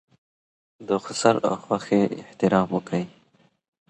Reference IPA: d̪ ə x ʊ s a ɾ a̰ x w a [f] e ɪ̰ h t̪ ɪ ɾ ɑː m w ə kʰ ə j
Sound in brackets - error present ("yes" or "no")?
yes